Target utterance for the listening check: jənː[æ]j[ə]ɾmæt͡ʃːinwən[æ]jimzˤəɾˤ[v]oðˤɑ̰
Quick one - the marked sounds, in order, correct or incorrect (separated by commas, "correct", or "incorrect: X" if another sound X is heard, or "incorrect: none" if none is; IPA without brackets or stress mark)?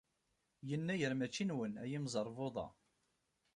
correct, correct, correct, correct